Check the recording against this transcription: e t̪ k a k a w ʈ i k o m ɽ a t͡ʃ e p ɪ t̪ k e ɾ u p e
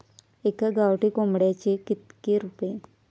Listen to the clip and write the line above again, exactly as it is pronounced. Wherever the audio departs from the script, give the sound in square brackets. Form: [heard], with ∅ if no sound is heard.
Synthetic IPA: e [∅] k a [ɡ] a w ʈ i k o m ɽ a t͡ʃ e [k] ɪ t̪ k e ɾ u p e